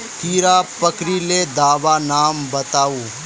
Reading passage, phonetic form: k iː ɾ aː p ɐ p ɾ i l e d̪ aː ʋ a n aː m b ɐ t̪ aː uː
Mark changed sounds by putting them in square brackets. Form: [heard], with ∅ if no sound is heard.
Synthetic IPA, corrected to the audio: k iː ɾ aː p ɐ [k] ɾ i l e d̪ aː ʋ a n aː m b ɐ t̪ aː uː